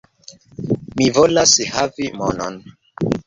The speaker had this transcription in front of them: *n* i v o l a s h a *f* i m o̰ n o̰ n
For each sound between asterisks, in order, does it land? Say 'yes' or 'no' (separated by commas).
no, no